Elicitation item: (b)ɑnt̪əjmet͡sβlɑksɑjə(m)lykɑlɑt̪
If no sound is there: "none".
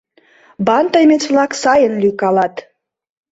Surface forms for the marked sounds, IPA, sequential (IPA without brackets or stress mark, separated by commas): b, n